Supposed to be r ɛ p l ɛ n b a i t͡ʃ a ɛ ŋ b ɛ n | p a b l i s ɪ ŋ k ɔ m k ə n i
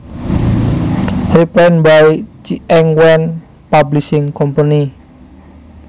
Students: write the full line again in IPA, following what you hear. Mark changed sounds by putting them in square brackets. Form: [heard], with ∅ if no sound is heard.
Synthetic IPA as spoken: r [i] p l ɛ n b a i t͡ʃ [i] ɛ ŋ [w] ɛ n | p a b l i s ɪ ŋ k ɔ m [p] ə n i